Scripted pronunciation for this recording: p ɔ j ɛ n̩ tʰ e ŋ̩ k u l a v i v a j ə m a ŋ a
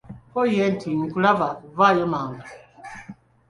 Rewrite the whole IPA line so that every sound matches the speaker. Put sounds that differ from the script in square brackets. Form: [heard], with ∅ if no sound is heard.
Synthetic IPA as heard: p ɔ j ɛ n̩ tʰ [i] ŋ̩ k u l a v [a] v a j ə m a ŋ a